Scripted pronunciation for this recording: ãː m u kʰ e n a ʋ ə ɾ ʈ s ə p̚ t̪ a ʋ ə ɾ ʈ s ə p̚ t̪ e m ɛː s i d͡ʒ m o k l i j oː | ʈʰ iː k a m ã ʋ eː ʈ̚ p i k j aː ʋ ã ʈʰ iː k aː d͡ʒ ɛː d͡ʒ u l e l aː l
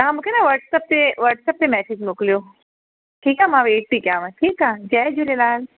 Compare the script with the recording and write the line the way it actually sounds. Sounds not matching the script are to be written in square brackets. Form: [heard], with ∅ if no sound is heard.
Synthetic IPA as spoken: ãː m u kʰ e n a ʋ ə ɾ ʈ s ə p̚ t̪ [e] ʋ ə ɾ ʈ s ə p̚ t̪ e m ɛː s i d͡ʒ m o k l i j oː | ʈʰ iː k a m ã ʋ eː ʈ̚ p i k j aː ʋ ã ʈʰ iː k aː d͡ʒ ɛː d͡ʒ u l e l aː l